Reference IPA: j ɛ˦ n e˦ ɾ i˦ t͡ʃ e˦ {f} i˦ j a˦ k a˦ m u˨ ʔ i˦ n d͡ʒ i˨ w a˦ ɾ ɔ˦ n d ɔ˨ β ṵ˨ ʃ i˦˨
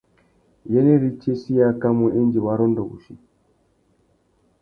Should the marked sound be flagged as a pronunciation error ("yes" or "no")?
yes